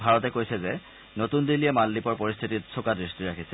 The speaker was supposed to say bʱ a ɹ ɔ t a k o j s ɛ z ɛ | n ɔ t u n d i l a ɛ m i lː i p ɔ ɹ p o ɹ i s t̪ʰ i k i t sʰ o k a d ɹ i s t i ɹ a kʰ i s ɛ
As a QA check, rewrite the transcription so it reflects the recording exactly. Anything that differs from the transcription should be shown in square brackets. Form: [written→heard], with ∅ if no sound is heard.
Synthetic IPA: bʱ a ɹ ɔ t [a→ɛ] k o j s ɛ z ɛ | n [ɔ→o] t u n d i l [a→i] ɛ m [i→a] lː i p ɔ ɹ p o ɹ i s t̪ʰ i [k→t] i t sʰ o k a d ɹ i s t i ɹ a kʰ i s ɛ

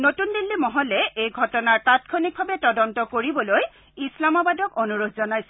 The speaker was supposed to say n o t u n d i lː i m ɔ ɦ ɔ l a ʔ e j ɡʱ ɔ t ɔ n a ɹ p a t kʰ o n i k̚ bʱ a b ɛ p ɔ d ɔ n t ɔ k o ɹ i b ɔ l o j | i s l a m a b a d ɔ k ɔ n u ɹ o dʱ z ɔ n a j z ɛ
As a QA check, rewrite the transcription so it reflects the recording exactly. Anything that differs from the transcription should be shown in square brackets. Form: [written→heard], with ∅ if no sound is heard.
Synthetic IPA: n o t u n d i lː i m ɔ ɦ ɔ l [a→ɛ] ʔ e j ɡʱ ɔ t ɔ n a ɹ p a t kʰ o n i k̚ bʱ a b ɛ [p→t] ɔ d ɔ n t ɔ k o ɹ i b ɔ l o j | i s l a m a b a d ɔ k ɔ n u ɹ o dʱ z ɔ n a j [z→s] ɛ

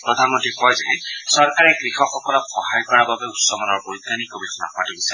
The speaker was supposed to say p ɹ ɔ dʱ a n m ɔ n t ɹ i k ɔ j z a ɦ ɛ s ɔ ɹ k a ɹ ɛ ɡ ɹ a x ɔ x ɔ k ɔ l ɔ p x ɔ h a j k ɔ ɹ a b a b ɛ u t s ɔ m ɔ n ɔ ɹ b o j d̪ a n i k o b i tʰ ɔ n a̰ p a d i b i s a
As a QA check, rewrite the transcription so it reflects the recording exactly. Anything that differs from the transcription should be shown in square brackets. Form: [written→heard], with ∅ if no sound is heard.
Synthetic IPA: p ɹ ɔ dʱ a n m ɔ n t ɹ i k ɔ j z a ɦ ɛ s ɔ ɹ k a ɹ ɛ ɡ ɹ [a→i] x ɔ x ɔ k ɔ l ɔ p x ɔ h a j k ɔ ɹ a b a b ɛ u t s ɔ m ɔ n ɔ ɹ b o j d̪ a n i k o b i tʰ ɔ n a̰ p a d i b i s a

